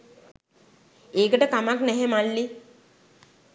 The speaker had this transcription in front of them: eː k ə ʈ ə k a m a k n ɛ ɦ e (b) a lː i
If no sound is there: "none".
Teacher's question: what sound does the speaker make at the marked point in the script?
m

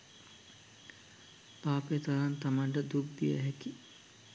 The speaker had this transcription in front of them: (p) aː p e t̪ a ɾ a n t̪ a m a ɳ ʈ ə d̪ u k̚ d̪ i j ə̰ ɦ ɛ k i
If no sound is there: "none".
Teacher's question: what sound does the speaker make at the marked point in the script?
p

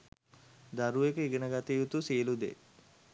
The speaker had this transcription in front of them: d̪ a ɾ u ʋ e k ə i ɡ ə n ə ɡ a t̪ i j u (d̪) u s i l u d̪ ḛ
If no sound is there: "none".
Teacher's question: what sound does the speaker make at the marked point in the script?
t̪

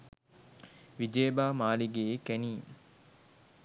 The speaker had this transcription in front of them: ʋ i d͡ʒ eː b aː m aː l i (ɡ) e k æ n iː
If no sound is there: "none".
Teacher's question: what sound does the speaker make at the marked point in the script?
ɡ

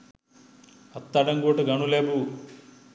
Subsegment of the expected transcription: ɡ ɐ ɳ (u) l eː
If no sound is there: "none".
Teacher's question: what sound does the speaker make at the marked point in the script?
u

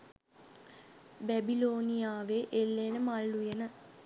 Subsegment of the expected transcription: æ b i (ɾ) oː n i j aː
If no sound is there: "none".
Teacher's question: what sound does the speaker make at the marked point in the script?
l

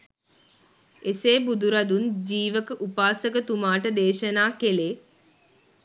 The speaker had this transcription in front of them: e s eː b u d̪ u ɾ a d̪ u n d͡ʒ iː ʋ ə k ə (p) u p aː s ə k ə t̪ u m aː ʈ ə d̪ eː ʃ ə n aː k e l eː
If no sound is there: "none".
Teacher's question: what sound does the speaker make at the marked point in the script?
ʔ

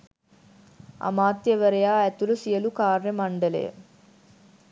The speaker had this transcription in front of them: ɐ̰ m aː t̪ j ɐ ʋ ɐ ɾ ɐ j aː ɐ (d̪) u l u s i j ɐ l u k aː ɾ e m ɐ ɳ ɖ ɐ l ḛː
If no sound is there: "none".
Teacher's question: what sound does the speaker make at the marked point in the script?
t̪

